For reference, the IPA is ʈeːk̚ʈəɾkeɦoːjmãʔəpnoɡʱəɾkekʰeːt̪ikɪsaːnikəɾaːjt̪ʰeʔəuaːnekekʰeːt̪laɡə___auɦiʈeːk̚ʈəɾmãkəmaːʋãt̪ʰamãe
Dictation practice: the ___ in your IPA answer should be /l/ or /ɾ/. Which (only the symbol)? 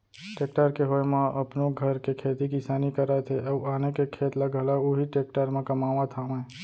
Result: l